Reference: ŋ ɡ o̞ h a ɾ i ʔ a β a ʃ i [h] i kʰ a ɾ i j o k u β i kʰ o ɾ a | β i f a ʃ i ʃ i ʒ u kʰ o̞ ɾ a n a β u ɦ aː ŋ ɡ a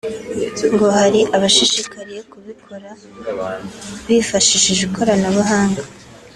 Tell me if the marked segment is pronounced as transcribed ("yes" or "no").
no